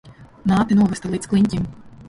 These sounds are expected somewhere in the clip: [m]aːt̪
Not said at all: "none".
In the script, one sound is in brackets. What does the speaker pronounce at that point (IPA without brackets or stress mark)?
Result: n